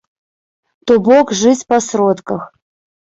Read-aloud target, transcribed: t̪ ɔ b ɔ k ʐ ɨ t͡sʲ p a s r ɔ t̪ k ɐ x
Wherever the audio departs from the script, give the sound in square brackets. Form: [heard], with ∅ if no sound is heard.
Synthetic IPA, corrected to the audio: t̪ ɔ b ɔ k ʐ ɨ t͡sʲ p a s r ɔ t̪ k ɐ x